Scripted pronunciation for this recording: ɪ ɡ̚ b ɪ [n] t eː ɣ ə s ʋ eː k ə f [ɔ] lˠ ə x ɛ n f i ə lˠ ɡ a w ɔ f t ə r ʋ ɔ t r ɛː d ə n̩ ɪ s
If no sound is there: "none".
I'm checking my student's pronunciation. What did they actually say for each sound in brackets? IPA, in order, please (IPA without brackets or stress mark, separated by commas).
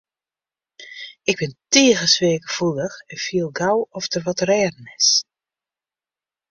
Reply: n, u